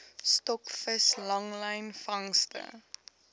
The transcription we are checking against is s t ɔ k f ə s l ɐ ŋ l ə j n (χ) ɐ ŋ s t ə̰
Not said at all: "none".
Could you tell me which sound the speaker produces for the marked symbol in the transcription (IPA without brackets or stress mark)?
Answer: f